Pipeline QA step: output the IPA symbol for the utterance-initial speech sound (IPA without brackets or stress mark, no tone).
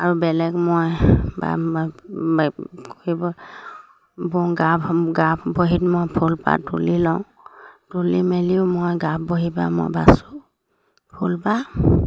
a